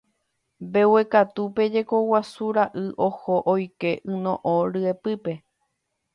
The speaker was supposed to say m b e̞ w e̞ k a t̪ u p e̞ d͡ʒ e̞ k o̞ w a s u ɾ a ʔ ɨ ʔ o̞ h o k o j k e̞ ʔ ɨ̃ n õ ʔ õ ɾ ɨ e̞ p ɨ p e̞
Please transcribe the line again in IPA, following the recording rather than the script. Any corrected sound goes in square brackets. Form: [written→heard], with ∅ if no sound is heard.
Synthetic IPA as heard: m b e̞ w e̞ k a t̪ u p e̞ d͡ʒ e̞ k o̞ w a s u ɾ a ʔ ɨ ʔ o̞ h o [k→ʔ] o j k e̞ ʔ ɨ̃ n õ ʔ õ ɾ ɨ e̞ p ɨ p e̞